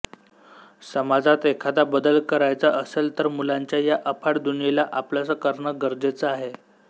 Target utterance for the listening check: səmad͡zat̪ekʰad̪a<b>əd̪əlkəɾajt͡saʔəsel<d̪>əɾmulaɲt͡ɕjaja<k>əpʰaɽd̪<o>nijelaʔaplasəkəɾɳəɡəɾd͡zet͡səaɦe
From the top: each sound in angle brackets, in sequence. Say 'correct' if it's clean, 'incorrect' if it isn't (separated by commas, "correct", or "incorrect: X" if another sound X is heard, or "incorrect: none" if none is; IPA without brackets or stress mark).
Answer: correct, incorrect: t̪, incorrect: ʔ, incorrect: u